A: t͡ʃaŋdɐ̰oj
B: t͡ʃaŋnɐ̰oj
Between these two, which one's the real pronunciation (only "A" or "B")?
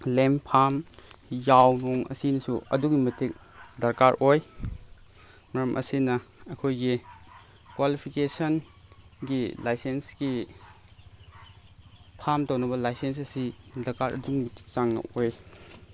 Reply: B